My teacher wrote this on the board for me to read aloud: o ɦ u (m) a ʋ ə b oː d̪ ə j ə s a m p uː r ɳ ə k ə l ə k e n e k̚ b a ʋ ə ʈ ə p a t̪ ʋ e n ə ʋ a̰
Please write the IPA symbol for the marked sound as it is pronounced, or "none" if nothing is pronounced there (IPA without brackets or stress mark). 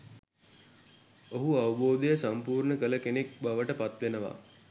none